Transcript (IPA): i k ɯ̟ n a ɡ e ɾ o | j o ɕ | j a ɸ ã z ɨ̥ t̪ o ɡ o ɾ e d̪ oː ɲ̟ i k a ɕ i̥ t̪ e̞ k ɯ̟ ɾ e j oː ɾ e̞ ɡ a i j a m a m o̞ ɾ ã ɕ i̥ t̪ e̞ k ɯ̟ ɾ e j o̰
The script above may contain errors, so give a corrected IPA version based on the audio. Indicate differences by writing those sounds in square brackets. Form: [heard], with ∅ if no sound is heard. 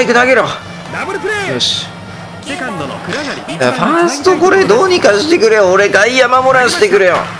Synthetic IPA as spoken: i k ɯ̟ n a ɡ e ɾ o | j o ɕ | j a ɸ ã [s] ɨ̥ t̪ o [k] o ɾ e d̪ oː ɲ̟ i k a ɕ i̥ t̪ e̞ k ɯ̟ ɾ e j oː ɾ e̞ ɡ a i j a m a m o̞ ɾ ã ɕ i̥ t̪ e̞ k ɯ̟ ɾ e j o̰